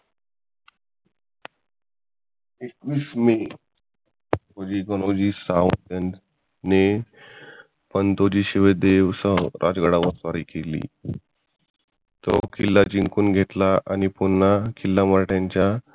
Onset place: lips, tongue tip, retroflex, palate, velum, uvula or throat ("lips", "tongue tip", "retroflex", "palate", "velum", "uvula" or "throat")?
velum